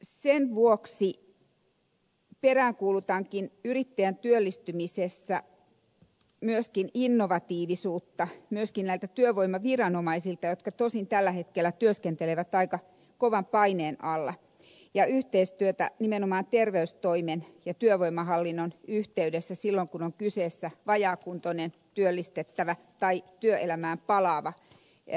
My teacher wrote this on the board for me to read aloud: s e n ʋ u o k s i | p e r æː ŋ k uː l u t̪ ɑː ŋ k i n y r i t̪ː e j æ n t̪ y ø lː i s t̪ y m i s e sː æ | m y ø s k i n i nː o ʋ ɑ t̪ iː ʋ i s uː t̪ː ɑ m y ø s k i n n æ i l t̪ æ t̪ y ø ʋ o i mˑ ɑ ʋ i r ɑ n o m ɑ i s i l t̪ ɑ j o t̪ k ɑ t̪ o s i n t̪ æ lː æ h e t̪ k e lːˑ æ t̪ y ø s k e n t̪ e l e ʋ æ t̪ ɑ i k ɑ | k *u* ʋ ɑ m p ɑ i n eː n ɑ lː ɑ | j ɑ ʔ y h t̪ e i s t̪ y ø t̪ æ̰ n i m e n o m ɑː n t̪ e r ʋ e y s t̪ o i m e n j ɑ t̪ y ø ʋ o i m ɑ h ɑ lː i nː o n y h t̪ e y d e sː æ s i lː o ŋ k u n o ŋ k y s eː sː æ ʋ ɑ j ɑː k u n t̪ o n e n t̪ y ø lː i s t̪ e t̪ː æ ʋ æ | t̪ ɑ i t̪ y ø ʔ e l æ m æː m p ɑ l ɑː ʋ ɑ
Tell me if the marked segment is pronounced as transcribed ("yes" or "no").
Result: no